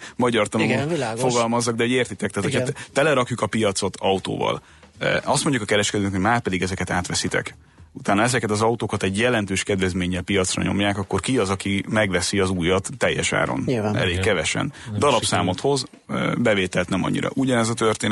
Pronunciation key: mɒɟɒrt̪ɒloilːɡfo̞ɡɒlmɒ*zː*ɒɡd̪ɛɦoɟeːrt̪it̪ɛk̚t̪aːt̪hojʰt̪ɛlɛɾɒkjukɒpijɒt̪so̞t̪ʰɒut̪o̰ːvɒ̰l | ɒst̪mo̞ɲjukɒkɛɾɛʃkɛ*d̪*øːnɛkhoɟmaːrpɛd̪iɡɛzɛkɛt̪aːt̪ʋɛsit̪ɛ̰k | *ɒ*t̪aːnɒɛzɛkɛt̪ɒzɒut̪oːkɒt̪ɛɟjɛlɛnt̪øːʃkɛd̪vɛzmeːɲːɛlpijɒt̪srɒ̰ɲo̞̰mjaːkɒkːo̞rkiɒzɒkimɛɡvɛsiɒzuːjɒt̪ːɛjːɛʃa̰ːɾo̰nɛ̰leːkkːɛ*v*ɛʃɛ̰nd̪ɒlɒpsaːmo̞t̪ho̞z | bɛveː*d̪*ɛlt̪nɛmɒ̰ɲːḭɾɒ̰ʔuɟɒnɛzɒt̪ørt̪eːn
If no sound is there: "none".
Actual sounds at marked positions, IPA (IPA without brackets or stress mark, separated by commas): zː, d̪, u, v, t̪